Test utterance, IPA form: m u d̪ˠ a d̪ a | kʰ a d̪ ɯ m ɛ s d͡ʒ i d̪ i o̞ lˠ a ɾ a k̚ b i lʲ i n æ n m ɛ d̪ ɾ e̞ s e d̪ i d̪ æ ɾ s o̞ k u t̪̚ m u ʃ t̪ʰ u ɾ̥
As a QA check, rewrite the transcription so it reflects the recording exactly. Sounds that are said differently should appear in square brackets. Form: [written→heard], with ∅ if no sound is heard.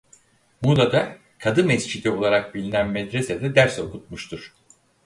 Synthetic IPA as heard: m u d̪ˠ a d̪ a | kʰ a d̪ ɯ m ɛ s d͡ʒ i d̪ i o̞ lˠ a ɾ a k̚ b i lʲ i n æ n m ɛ d̪ ɾ e̞ s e d̪ [i→ɛ] d̪ æ ɾ s o̞ k u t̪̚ m u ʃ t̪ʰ u ɾ̥